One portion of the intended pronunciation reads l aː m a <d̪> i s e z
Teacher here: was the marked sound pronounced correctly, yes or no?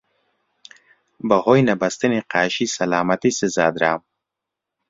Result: no